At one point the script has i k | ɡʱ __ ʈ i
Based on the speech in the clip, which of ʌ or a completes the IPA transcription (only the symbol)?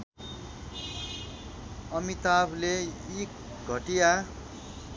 ʌ